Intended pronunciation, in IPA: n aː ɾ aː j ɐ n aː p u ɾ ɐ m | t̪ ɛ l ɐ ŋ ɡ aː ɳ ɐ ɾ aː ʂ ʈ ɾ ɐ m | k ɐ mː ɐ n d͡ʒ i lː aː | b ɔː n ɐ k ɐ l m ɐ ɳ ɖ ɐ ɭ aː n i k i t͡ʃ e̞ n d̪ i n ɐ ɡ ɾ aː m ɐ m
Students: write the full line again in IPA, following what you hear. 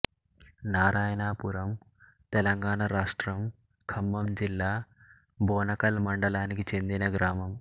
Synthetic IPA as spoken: n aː ɾ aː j ɐ n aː p u ɾ ɐ m | t̪ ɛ l ɐ ŋ ɡ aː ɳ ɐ ɾ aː ʂ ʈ ɾ ɐ m | kʰ ɐ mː ɐ m d͡ʒ i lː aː | b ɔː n ɐ k ɐ l m ɐ ɳ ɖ ɐ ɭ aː n i k i t͡ʃ e̞ n d̪ i n ɐ ɡ ɾ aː m ɐ m